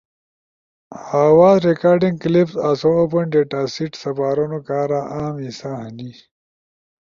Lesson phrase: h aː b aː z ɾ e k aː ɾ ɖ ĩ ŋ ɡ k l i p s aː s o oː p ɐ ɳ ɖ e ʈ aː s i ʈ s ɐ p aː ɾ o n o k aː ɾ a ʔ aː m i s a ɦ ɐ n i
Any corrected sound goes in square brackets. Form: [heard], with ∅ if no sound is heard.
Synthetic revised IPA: h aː [w] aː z ɾ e k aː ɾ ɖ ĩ ŋ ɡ k l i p s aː s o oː p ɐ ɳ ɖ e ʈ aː s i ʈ s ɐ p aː ɾ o n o k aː ɾ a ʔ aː m i s a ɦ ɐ n i